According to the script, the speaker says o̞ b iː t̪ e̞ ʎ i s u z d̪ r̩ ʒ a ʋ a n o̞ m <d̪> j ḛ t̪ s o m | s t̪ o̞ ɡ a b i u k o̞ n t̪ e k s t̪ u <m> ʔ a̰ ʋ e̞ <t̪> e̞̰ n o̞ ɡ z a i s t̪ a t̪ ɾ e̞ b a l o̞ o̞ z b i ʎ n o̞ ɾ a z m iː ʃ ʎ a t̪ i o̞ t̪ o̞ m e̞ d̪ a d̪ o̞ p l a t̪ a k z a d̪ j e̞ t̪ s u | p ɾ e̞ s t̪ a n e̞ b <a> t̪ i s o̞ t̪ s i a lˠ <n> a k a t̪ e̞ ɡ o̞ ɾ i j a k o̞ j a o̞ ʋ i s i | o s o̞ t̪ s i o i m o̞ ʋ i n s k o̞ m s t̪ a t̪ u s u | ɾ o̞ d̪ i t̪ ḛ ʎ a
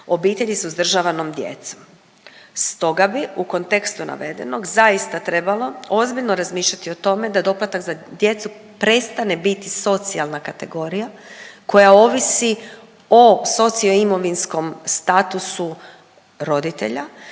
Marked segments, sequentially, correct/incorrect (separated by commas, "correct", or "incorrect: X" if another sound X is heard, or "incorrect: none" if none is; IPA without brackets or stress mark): correct, incorrect: n, incorrect: d̪, incorrect: i, correct